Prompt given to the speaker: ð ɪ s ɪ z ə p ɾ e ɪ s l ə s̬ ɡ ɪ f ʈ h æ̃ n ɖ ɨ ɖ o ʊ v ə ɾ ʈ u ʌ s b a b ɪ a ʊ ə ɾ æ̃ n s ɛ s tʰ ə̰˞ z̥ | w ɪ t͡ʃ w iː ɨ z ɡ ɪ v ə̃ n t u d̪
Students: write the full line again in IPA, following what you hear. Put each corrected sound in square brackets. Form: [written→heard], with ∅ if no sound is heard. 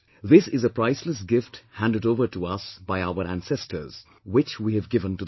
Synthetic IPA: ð ɪ s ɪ z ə p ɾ [e→a] ɪ s l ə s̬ ɡ ɪ f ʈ h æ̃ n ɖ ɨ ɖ o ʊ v ə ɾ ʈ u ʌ s b a [b→∅] ɪ a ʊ ə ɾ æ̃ n s ɛ s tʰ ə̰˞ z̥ | w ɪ t͡ʃ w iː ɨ [z→v] ɡ ɪ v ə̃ n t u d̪